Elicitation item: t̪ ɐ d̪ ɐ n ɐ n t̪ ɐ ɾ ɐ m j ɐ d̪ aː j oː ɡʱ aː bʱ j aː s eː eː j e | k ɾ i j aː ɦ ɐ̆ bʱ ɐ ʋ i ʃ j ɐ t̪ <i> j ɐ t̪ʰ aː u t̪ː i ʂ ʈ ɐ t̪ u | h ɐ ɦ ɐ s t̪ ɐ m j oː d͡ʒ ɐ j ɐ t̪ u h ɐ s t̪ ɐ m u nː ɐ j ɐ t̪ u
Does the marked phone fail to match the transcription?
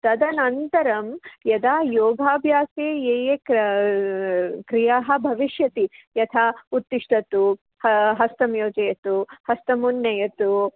no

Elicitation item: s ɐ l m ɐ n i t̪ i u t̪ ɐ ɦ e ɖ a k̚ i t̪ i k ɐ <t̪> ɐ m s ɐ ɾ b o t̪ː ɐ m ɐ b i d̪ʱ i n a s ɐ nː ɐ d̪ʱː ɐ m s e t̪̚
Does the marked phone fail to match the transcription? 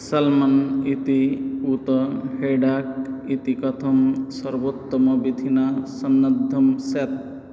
yes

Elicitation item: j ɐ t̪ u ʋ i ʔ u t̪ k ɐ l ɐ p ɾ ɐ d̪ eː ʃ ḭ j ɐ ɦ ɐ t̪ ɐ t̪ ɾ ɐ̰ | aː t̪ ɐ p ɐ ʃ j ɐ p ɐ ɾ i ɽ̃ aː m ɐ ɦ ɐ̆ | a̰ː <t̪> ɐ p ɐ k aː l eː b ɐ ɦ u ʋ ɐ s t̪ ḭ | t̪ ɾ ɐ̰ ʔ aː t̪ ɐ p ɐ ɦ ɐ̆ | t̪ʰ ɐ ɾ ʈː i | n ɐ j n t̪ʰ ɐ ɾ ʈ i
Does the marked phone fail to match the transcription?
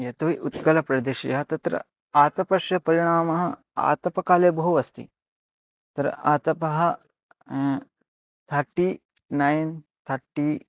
no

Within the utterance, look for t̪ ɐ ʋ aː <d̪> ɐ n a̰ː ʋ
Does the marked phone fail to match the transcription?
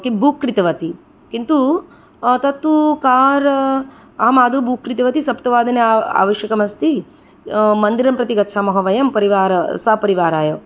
no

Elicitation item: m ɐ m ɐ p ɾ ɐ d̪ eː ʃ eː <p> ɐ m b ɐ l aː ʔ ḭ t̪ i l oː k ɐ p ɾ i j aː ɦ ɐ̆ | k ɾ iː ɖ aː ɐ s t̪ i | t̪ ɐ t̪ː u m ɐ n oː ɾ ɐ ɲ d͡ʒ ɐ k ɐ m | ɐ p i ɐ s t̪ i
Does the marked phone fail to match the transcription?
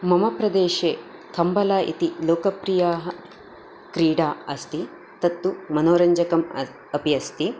yes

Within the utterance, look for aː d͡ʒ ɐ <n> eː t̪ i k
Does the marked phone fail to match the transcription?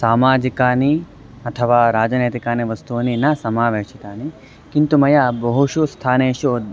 no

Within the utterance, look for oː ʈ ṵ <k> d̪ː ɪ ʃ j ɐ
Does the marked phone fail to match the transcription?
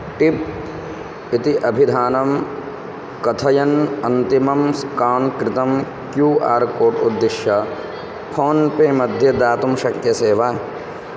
yes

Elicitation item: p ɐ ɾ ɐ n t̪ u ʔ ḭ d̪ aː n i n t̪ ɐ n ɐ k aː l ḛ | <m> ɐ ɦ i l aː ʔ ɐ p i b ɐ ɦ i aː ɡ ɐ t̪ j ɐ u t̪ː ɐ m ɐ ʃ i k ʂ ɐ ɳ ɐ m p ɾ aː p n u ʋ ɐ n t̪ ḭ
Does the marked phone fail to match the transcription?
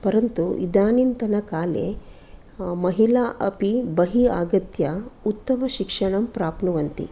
no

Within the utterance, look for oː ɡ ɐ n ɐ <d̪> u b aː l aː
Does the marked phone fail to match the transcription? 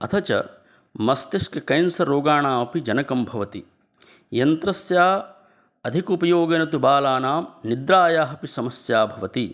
yes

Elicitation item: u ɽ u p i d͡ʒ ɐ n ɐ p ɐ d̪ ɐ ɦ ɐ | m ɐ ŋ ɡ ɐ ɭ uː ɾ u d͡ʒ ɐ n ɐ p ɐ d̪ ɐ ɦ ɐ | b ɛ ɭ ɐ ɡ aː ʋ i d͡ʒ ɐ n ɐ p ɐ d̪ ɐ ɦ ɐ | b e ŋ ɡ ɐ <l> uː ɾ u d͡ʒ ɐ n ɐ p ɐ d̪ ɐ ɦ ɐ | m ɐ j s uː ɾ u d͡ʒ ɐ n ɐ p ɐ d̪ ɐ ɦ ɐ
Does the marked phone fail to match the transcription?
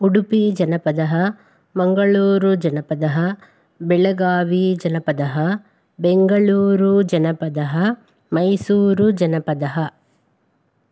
yes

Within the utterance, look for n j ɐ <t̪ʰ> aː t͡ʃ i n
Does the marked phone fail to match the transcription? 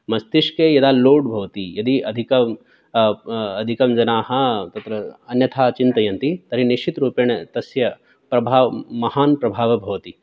no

